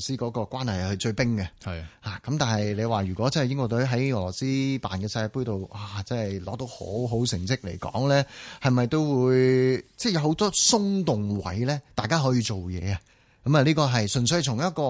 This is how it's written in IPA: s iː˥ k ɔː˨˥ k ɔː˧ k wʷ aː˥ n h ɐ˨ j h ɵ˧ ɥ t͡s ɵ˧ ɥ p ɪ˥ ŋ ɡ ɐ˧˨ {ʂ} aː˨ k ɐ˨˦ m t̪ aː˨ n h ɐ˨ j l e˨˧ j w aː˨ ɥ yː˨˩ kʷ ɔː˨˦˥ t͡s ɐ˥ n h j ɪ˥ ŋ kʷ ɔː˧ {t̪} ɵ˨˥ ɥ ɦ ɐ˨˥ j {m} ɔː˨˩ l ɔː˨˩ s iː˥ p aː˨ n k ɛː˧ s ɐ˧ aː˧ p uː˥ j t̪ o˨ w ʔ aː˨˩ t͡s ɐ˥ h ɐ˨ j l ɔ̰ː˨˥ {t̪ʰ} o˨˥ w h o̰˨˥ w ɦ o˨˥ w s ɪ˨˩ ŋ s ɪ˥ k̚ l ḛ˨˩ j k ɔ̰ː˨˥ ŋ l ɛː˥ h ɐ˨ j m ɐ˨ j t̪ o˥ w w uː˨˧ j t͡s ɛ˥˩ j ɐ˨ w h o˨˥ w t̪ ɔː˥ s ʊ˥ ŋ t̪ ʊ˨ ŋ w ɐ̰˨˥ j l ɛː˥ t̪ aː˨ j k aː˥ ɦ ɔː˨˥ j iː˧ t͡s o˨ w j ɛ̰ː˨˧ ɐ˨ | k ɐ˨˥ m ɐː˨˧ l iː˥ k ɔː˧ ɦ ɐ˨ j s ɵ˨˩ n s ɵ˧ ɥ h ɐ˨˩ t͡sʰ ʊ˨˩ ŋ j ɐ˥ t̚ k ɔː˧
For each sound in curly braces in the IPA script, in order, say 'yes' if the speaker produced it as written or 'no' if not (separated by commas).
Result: no, yes, no, no